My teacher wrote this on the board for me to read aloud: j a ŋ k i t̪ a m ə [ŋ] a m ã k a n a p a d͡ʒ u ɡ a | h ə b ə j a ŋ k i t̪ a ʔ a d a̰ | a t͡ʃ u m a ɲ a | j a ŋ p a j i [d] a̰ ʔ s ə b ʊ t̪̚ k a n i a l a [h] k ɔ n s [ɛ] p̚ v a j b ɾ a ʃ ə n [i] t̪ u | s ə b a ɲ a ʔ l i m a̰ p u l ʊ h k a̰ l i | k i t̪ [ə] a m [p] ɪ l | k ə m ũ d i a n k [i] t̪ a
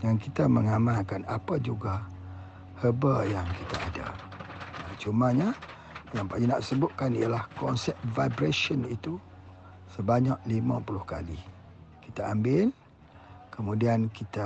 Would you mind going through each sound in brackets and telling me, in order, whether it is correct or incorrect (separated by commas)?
correct, incorrect, correct, correct, correct, incorrect, incorrect, correct